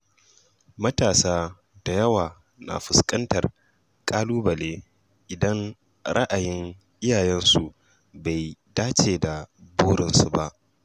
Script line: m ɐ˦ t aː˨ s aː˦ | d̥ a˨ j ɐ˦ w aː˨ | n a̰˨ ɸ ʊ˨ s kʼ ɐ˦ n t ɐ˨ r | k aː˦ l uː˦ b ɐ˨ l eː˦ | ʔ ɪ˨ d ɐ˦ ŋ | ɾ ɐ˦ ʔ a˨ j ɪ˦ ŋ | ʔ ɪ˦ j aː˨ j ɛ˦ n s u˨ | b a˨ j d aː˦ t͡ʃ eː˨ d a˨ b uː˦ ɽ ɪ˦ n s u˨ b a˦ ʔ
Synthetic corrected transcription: m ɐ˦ t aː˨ s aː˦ | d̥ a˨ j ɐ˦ w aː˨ | n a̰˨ ɸ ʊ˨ s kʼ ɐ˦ n t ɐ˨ r | kʼ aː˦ l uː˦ b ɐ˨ l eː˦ | ʔ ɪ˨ d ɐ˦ ŋ | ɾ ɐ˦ ʔ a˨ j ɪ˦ ŋ | ʔ ɪ˦ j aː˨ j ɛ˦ n s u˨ | b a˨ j d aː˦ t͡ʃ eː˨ d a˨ b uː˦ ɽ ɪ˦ n s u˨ b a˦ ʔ